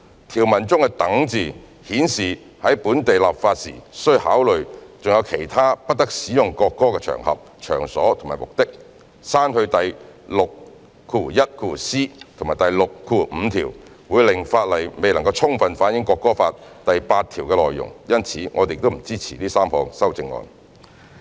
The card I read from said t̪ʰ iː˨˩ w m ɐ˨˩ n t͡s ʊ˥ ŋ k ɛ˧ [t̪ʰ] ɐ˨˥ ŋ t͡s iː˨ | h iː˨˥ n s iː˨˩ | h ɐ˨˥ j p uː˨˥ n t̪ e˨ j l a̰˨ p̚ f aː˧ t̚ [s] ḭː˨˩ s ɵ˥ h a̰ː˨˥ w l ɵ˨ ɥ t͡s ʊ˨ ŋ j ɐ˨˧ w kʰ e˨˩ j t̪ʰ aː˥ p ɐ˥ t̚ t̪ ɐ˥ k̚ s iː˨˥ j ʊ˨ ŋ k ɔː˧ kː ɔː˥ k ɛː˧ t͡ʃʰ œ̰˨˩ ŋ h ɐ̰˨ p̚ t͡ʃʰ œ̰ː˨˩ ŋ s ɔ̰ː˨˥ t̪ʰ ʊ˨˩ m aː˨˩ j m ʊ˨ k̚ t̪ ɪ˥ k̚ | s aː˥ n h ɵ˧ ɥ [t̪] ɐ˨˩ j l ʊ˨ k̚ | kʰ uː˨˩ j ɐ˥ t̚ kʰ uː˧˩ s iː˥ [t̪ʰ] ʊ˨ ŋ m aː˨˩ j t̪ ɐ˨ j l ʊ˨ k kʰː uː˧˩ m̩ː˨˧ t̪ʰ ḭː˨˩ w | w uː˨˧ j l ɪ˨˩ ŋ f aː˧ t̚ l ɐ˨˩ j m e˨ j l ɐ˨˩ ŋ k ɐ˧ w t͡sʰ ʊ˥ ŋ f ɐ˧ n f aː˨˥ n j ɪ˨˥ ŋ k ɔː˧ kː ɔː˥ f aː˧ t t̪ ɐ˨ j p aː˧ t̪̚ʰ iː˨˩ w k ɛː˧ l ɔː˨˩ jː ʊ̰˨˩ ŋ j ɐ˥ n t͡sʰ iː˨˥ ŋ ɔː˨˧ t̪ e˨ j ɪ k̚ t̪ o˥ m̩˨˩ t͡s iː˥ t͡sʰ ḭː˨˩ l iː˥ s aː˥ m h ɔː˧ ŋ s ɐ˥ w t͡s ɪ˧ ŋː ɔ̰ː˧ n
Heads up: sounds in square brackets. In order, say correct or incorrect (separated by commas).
incorrect, correct, correct, correct